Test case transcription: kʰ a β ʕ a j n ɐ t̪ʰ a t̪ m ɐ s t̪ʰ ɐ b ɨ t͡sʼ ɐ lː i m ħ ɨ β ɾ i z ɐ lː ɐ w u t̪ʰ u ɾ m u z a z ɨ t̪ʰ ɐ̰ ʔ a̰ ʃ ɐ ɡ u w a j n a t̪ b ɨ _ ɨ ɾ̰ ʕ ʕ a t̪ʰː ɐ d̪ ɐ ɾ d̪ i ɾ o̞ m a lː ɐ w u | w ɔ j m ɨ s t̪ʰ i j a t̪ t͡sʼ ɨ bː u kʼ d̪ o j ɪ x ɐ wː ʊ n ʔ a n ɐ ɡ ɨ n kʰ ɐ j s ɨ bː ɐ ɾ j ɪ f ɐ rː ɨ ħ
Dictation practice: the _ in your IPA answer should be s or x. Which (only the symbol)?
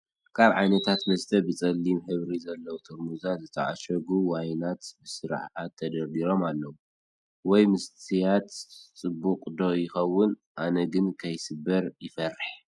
s